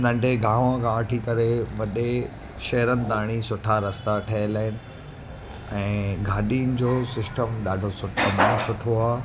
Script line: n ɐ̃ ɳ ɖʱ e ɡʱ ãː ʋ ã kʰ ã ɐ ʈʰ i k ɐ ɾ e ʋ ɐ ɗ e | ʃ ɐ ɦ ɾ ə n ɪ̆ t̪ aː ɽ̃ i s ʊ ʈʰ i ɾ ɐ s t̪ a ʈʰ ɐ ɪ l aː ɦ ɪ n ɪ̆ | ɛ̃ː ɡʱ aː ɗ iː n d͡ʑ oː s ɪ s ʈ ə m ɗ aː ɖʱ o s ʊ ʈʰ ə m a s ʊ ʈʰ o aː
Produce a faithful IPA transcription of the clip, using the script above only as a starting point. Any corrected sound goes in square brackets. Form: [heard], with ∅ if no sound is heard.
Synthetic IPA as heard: n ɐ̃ ɳ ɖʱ e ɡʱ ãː ʋ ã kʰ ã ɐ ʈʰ i k ɐ ɾ e ʋ ɐ ɗ e | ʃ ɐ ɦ ɾ ə n ɪ̆ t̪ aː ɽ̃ i s ʊ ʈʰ [a] ɾ ɐ s t̪ a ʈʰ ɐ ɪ l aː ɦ ɪ n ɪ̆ | ɛ̃ː ɡʱ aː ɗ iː n d͡ʑ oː s ɪ s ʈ ə m ɗ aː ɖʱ o s ʊ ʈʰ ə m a s ʊ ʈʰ o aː

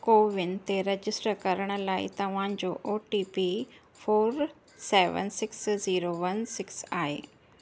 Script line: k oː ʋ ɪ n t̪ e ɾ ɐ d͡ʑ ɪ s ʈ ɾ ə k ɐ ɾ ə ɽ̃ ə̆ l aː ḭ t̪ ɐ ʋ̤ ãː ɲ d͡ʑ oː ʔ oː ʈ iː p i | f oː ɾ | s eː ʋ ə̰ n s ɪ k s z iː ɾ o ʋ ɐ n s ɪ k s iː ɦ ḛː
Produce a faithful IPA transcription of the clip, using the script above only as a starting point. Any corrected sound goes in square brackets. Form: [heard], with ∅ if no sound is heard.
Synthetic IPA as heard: k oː ʋ ɪ n t̪ e ɾ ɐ d͡ʑ ɪ s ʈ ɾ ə k ɐ ɾ ə ɽ̃ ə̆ l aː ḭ t̪ ɐ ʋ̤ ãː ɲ d͡ʑ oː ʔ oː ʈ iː p i | f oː ɾ | s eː ʋ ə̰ n s ɪ k s z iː ɾ o ʋ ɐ n s ɪ k s [aː] ɦ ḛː

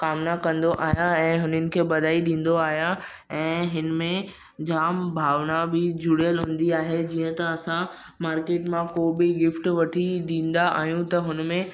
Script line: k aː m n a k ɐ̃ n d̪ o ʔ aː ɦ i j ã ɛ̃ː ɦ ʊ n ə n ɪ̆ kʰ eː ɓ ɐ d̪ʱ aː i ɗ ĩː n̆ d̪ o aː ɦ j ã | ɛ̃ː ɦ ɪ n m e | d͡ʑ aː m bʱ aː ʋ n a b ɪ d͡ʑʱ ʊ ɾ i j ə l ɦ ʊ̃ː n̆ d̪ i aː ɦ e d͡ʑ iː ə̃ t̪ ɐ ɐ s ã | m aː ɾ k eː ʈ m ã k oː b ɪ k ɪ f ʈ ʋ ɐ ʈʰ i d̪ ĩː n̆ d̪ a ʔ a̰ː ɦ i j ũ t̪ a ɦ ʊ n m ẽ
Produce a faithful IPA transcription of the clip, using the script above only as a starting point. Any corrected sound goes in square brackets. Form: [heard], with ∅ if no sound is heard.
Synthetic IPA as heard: k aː m n a k ɐ̃ n d̪ o ʔ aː ɦ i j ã ɛ̃ː ɦ ʊ n ə n ɪ̆ kʰ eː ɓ ɐ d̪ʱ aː i ɗ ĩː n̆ d̪ o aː ɦ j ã | ɛ̃ː ɦ ɪ n m [ẽ] | d͡ʑ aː m bʱ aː ʋ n a b ɪ d͡ʑʱ ʊ [ɽ] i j ə l ɦ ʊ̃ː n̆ d̪ i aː ɦ e d͡ʑ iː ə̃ t̪ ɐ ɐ s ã | m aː ɾ k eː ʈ m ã k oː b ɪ [ɡ] ɪ f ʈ ʋ ɐ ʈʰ i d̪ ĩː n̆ d̪ a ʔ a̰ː ɦ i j ũ t̪ [ɐ] ɦ ʊ n m ẽ

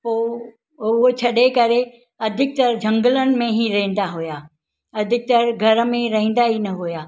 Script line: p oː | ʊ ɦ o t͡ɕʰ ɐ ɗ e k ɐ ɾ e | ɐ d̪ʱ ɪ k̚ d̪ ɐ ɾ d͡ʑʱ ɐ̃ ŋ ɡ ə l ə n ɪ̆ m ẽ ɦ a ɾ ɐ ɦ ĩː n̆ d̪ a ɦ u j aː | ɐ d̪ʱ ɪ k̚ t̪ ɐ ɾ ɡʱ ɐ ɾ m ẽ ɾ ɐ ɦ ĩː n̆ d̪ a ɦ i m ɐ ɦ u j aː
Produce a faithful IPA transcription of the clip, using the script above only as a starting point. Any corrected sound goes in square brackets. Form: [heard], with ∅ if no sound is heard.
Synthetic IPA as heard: p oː | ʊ ɦ o t͡ɕʰ ɐ ɗ e k ɐ ɾ e | ɐ d̪ʱ ɪ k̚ [t̪] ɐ ɾ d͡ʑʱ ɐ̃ ŋ ɡ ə l ə n ɪ̆ m ẽ ɦ [i] ɾ ɐ ɦ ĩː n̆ d̪ a ɦ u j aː | ɐ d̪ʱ ɪ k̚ t̪ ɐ ɾ ɡʱ ɐ ɾ m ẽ ɾ ɐ ɦ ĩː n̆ d̪ a ɦ i [n] ɐ ɦ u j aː

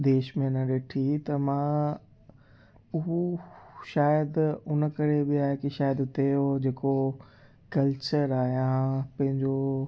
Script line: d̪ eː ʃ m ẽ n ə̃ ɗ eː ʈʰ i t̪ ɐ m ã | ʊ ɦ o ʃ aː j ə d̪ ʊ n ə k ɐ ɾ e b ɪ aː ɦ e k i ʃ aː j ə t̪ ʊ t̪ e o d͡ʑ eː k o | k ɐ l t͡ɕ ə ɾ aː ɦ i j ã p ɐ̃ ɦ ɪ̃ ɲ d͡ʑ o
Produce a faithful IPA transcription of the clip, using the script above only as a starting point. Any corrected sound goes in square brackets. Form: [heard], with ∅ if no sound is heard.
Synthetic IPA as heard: d̪ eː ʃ m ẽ n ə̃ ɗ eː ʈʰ i t̪ ɐ m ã | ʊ ɦ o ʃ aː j ə d̪ ʊ n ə k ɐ ɾ e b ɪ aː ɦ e k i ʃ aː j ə [d̪] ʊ t̪ e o d͡ʑ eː k o | k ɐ l t͡ɕ ə ɾ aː ɦ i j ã p ɐ̃ ɦ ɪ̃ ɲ d͡ʑ o

